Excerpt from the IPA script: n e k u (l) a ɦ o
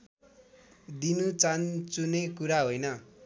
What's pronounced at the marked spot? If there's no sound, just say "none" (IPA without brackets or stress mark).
ɾ